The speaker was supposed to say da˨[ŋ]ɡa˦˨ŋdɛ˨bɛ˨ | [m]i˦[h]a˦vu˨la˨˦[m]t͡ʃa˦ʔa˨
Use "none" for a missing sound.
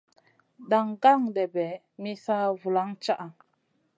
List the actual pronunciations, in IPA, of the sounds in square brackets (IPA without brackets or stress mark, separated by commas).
ŋ, m, s, ŋ